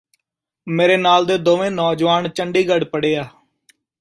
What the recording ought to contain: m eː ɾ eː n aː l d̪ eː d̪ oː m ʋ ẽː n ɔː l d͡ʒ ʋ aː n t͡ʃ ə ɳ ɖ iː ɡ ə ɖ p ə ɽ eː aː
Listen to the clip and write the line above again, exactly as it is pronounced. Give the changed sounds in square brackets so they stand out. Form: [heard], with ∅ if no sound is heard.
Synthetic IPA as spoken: m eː ɾ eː n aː l d̪ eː d̪ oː [∅] ʋ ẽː n ɔː [∅] d͡ʒ ʋ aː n t͡ʃ ə ɳ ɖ iː ɡ ə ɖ p ə ɽ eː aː